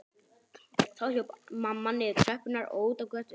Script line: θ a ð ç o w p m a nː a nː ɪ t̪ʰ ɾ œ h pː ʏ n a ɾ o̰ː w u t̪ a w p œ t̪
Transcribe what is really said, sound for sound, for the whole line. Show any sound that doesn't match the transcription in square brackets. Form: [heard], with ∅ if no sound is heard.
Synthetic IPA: θ a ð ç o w p m a [mː] a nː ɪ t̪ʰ ɾ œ h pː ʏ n a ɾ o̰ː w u t̪ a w [k] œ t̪

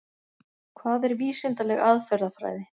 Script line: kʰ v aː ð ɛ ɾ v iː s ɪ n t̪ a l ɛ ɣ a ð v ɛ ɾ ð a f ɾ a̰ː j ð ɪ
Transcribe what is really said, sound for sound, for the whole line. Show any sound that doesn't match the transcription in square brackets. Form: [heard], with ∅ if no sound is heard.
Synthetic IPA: kʰ v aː ð ɛ ɾ v iː s ɪ n t̪ a l ɛ ɣ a ð [f] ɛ ɾ ð a f ɾ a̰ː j ð ɪ

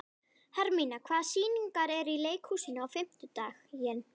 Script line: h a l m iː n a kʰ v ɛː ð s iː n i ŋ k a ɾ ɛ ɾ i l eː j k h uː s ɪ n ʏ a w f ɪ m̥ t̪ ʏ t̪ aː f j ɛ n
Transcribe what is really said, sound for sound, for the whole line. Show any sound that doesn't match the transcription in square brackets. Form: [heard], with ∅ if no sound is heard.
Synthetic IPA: h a [ɾ] m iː n a kʰ v [aː] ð s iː n i ŋ k a ɾ ɛ ɾ i l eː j k h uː s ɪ n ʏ a w f ɪ m̥ t̪ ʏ t̪ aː [x] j ɛ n

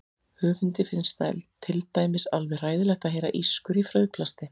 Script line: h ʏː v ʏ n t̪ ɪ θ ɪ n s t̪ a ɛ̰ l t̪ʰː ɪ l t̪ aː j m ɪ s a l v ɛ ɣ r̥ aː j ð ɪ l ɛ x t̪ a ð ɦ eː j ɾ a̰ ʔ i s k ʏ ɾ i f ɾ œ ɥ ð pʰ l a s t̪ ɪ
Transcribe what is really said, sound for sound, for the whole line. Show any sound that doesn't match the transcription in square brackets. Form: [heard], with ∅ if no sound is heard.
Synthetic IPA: h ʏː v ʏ n t̪ ɪ [f] ɪ n s t̪ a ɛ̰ l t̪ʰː ɪ l t̪ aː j m ɪ s a l v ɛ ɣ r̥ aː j ð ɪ l ɛ x t̪ a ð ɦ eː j ɾ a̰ ʔ i s k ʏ ɾ i f ɾ œ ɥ ð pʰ l a s t̪ ɪ

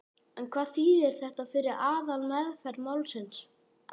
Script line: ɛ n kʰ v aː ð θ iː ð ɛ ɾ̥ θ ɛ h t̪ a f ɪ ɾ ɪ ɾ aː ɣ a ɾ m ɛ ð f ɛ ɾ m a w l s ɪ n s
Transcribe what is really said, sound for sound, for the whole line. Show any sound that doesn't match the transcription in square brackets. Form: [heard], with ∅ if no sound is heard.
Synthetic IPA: ɛ n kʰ v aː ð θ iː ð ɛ ɾ̥ θ ɛ h t̪ a f ɪ ɾ ɪ ɾ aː [ð] a [l] m ɛ ð f ɛ ɾ m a w l s ɪ n s

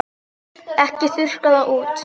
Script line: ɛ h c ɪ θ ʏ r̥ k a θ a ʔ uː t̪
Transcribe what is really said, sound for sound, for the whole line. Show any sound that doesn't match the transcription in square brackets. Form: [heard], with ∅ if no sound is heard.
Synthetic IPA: ɛ h c ɪ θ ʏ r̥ k a [ð] a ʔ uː t̪

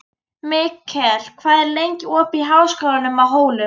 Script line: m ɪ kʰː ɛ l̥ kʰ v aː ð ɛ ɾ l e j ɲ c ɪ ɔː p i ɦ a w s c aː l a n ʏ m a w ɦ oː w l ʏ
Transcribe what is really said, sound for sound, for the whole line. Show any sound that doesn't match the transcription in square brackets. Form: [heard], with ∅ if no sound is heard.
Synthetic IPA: m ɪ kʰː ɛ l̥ kʰ v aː ð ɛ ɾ l e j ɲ c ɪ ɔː p i ɦ a w s [k] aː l a n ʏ m a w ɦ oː w l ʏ

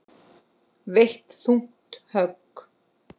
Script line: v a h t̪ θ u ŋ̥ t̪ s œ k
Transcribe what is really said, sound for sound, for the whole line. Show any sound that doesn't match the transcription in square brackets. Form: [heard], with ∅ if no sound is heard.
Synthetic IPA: v [e] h t̪ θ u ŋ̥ t̪ [h] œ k

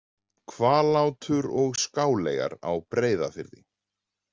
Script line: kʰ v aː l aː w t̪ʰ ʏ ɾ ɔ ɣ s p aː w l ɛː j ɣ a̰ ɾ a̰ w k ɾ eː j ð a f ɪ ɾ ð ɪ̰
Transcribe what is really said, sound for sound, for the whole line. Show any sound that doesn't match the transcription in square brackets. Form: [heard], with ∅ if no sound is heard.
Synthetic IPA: kʰ v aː l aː w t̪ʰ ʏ ɾ ɔ ɣ s [k] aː w l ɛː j ɣ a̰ ɾ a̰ w [p] ɾ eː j ð a f ɪ ɾ ð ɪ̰

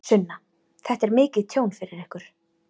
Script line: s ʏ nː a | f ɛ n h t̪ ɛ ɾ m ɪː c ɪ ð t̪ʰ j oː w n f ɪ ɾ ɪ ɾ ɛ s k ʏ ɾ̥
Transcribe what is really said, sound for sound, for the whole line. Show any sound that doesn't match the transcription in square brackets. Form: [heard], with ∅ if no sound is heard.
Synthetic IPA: s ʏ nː a | [θ] ɛ [∅] h t̪ ɛ ɾ m ɪː c ɪ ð t̪ʰ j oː w n f ɪ ɾ ɪ ɾ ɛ [h] k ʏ ɾ̥

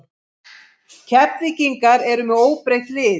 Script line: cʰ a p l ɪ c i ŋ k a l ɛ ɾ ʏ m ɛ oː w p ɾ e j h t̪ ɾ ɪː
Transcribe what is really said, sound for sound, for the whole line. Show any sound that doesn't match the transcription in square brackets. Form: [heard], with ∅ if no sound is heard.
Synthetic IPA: cʰ [ɛ] p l ɪ c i ŋ k a [ɾ] ɛ ɾ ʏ m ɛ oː w p ɾ e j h t̪ [l] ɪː

